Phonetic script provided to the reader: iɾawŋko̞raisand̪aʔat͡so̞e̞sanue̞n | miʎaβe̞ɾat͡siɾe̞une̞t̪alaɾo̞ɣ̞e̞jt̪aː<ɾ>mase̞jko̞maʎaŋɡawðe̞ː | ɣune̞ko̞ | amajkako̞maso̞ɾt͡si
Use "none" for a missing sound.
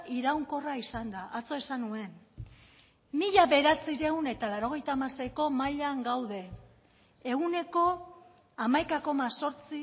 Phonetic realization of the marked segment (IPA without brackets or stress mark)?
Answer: none